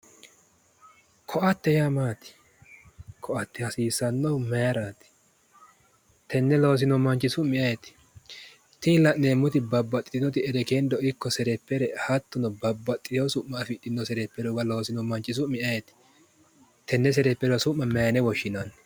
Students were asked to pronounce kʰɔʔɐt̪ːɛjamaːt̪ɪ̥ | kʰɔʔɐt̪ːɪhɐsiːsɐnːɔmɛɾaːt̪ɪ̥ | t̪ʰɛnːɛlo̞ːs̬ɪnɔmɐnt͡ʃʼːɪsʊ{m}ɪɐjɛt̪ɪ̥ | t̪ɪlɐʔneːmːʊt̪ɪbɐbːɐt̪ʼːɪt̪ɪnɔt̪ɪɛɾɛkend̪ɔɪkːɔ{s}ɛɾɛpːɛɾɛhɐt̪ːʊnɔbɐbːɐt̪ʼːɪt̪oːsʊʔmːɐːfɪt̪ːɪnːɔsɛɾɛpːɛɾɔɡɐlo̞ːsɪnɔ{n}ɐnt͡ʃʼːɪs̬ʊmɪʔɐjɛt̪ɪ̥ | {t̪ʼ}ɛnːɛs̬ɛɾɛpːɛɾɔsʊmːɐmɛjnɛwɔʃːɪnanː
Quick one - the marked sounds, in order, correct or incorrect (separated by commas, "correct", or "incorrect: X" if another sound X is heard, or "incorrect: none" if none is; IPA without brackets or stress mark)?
correct, correct, incorrect: m, incorrect: t̪